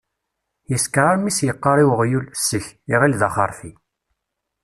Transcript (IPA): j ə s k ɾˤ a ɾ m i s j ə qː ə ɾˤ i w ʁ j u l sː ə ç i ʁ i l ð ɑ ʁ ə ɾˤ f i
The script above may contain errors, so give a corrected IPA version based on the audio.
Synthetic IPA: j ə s k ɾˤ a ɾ m i s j ə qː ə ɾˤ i w ʁ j u l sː ə ç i ʁ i l ð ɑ χ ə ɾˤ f i